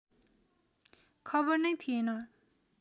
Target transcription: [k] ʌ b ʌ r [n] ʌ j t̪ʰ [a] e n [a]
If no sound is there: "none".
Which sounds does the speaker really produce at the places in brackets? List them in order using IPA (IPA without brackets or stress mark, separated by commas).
kʰ, n, i, ʌ